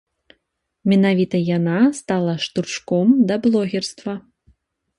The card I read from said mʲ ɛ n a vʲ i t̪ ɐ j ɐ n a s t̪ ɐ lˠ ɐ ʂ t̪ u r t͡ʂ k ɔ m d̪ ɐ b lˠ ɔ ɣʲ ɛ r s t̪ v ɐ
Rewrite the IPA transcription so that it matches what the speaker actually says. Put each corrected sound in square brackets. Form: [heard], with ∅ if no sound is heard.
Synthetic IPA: mʲ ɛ n a vʲ i t̪ ɐ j [a] n a s t̪ [a] lˠ ɐ ʂ t̪ u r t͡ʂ k ɔ m d̪ ɐ b lˠ ɔ ɣʲ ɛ r s t̪ v ɐ